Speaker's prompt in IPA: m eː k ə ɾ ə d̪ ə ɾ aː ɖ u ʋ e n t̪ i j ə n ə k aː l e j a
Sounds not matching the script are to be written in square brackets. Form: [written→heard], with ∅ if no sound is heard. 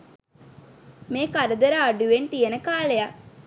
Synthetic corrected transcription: m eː k [ə→a] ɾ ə d̪ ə ɾ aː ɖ u ʋ e n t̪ i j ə n ə k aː l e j a

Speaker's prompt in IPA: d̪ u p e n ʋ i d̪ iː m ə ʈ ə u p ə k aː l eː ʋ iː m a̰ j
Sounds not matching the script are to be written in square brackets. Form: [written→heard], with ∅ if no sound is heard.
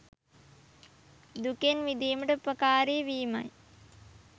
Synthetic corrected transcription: d̪ u [p→k] e n ʋ i d̪ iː m ə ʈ ə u p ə k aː [l→ɾ] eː ʋ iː m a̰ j

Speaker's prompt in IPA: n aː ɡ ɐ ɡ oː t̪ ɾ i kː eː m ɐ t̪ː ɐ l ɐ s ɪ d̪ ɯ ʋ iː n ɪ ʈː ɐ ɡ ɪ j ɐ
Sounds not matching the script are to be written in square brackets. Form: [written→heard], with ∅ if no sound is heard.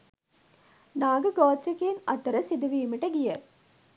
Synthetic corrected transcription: n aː ɡ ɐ ɡ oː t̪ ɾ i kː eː [m→n] ɐ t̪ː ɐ [l→ɾ] ɐ s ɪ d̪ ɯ ʋ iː [n→m] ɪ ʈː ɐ ɡ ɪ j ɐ

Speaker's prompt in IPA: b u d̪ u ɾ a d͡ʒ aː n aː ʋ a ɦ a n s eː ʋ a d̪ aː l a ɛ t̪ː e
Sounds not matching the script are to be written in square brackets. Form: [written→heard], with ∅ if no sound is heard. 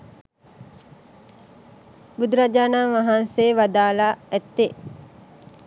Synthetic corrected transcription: b u d̪ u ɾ a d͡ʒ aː n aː ʋ a ɦ a n s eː ʋ a d̪ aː l a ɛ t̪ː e

